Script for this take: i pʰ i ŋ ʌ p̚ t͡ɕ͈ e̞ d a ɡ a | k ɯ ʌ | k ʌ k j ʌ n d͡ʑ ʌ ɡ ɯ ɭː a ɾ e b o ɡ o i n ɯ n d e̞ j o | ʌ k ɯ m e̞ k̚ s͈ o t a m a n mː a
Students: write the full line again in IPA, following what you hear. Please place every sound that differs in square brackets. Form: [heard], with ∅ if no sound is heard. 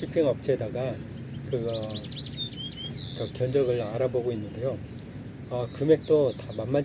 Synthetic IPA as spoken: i pʰ i ŋ ʌ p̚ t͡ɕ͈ e̞ d a ɡ a | k ɯ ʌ | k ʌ k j ʌ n d͡ʑ ʌ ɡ ɯ [ɭ] a ɾ [a] b o ɡ o i [nː] ɯ n d e̞ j o | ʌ k ɯ m e̞ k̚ [t͈] o t a m a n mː a